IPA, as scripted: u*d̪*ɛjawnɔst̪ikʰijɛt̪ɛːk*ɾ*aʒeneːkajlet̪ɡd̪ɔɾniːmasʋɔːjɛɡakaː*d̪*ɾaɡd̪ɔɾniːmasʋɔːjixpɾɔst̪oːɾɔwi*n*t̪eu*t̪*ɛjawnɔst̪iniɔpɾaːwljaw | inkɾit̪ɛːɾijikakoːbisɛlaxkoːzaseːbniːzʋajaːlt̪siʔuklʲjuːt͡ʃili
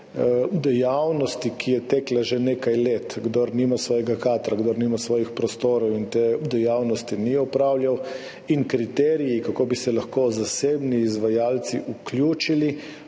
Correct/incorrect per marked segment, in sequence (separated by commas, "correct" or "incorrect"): correct, incorrect, incorrect, correct, incorrect